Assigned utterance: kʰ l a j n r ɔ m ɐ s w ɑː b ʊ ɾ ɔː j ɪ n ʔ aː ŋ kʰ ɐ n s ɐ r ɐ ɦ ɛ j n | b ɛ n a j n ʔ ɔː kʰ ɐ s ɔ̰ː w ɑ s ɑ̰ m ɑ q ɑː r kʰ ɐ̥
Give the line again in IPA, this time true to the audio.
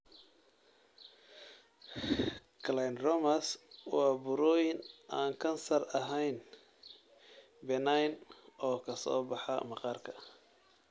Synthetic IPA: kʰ l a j n r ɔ m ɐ s w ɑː b ʊ ɾ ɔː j ɪ n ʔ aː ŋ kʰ ɐ n s ɐ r ɐ ɦ ɛ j n | b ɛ n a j n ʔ ɔː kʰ ɐ s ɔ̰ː b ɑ ħ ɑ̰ m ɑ q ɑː r kʰ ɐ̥